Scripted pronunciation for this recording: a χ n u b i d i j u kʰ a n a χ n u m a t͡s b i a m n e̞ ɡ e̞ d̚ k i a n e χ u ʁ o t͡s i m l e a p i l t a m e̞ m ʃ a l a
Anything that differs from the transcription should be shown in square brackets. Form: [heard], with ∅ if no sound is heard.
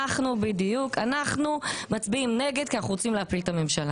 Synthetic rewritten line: a χ n u b i d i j u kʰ a n a χ n u m a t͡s b i [i] m n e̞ ɡ e̞ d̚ k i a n [a] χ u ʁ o t͡s i m l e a p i l t a m e̞ m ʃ a l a